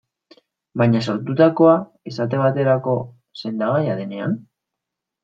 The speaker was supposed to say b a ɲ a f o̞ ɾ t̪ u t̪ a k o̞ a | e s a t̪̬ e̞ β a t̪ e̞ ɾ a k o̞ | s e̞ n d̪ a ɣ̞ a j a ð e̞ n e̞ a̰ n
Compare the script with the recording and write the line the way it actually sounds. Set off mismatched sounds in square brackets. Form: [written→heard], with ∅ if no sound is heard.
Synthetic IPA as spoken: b a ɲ a [f→s] o̞ ɾ t̪ u t̪ a k o̞ a | e s a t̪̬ e̞ β a t̪ e̞ ɾ a k o̞ | s e̞ n d̪ a ɣ̞ a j a ð e̞ n e̞ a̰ n